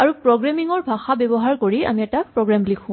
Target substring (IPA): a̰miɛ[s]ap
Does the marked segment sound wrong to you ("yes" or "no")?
yes